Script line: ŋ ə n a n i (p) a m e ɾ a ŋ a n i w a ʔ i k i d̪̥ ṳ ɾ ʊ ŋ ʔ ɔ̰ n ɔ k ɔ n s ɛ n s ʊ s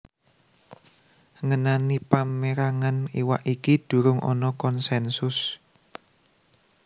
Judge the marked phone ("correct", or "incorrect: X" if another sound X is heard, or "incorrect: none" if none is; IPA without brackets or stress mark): correct